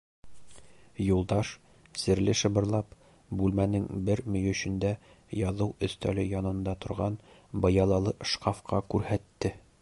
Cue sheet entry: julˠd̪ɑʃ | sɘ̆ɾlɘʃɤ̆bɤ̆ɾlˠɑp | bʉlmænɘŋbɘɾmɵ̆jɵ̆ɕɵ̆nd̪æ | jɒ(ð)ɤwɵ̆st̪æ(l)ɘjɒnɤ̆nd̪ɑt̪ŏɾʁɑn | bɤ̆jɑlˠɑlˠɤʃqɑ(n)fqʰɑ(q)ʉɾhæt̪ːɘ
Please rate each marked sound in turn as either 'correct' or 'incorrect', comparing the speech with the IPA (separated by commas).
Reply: correct, correct, incorrect, incorrect